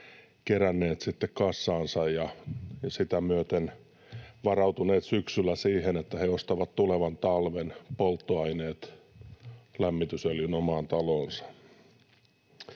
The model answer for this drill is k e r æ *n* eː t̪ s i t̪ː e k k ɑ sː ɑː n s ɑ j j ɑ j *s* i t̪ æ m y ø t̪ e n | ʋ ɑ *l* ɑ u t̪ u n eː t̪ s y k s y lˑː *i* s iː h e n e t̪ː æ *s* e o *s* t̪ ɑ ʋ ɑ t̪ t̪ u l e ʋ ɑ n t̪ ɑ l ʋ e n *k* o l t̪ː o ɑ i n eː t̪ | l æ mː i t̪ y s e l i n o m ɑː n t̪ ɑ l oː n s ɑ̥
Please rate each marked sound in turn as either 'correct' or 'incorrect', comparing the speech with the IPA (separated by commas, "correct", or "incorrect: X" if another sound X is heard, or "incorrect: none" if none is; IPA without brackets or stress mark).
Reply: incorrect: nː, correct, incorrect: r, incorrect: æ, incorrect: h, correct, incorrect: p